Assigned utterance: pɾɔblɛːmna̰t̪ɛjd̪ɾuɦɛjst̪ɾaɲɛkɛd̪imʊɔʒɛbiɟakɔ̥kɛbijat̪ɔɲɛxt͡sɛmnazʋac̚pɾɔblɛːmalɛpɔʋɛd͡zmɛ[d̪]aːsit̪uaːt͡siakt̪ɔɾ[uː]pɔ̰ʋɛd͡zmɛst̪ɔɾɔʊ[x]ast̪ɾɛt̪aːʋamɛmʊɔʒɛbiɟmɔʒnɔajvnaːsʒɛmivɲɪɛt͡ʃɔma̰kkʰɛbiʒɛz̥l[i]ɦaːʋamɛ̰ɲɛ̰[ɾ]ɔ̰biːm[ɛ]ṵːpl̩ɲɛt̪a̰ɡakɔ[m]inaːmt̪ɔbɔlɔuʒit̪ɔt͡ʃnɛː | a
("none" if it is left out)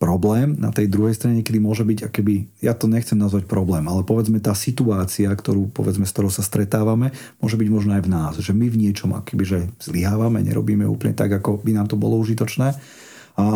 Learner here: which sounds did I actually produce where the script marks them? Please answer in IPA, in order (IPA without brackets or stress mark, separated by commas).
t̪, uː, s, i, ɾ, ɛ, b